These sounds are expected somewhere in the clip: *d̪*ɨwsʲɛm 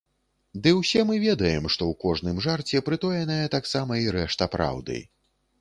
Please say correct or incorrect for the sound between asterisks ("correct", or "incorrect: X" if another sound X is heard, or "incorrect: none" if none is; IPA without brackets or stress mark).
correct